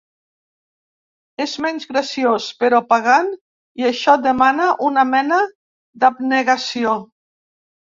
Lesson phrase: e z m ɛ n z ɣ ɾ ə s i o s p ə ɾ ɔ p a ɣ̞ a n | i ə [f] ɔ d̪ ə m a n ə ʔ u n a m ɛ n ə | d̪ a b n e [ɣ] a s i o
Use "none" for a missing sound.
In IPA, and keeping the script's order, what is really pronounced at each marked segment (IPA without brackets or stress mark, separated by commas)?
ʃ, ɣ